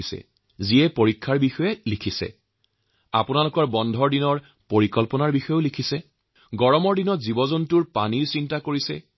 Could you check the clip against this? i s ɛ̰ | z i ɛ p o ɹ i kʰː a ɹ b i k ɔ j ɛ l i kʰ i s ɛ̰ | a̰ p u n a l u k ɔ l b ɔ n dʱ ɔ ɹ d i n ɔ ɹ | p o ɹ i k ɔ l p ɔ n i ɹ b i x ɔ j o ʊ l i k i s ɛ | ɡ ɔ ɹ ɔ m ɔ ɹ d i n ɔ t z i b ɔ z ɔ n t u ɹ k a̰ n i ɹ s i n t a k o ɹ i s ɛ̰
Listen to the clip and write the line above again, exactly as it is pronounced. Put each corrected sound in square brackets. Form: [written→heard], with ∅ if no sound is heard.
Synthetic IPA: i s ɛ̰ | z i ɛ p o ɹ i kʰː a ɹ b i [k→x] ɔ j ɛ l i kʰ i s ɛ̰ | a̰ p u n a l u k ɔ [l→ɹ] b ɔ n dʱ ɔ ɹ d i n ɔ ɹ | p o ɹ i k ɔ l p ɔ n [i→a] ɹ b i x ɔ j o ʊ l i [k→kʰ] i s ɛ | ɡ ɔ ɹ ɔ m ɔ ɹ d i n ɔ t z i b ɔ z ɔ n t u ɹ [k→p] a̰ n i ɹ s i n t a k o ɹ i s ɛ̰